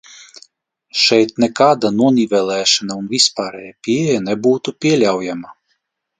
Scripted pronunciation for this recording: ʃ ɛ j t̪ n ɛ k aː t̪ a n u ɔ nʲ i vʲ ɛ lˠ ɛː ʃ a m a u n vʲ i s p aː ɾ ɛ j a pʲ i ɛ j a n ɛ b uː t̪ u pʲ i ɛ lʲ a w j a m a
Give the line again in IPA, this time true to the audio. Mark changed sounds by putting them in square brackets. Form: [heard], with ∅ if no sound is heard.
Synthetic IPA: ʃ ɛ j t̪ n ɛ k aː [d̪] a n u ɔ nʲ i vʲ ɛ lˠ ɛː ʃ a [n] a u n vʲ i s p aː ɾ ɛ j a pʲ i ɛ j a n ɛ b uː t̪ u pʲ i ɛ lʲ a w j a m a